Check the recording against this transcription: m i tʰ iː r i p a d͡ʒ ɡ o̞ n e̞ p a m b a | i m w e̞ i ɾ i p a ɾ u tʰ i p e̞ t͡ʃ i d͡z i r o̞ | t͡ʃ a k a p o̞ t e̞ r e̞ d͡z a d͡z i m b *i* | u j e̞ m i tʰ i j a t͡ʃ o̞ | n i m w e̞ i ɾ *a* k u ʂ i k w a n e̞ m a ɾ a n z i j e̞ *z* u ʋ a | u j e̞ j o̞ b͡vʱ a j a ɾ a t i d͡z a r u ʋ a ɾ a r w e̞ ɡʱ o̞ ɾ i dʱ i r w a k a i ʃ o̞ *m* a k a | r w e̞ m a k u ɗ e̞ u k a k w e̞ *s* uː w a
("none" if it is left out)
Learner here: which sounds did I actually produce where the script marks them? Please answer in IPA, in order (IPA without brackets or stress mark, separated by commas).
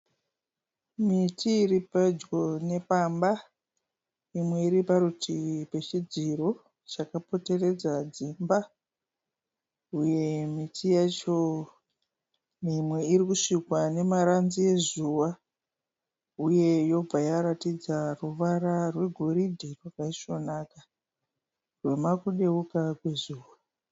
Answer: a, i, z, n, z